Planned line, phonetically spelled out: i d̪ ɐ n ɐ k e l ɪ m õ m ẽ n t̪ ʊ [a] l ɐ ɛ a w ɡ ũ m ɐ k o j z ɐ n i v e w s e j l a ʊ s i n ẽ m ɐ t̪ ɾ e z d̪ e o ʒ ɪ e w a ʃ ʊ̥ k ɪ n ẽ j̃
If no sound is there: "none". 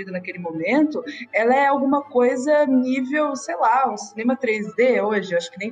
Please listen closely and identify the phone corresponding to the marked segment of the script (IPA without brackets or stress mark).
ɛ